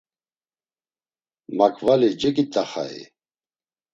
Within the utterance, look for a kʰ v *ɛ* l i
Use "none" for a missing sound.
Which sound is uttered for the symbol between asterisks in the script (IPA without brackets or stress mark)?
a